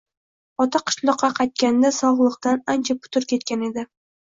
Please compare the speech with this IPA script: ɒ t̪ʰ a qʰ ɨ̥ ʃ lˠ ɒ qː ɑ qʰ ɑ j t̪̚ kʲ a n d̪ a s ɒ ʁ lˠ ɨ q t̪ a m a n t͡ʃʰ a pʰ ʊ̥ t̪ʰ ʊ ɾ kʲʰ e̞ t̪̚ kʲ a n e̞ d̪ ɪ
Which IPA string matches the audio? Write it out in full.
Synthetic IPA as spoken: ɒ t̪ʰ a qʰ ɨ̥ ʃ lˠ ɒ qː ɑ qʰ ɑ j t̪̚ kʲ a n d̪ a s ɒ ʁ lˠ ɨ q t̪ a n a n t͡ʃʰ a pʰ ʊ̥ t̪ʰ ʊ ɾ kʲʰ e̞ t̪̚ kʲ a n e̞ d̪ ɪ